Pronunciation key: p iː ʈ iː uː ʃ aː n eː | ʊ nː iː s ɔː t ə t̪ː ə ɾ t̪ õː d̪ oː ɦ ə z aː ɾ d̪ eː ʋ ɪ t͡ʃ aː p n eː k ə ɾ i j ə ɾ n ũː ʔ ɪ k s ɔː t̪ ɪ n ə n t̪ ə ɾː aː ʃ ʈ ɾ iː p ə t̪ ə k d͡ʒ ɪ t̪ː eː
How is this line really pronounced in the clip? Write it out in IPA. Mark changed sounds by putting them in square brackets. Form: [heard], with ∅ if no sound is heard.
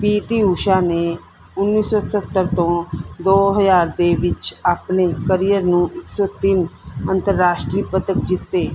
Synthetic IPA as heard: p iː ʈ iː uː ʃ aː n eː | ʊ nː iː s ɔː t ə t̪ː ə ɾ t̪ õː d̪ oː ɦ ə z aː ɾ d̪ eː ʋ ɪ t͡ʃ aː p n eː k ə ɾ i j ə ɾ n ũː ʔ ɪ k s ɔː t̪ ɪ n ə n t̪ ə ɾː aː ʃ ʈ ɾ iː p ə t̪ ə k d͡ʒ ɪ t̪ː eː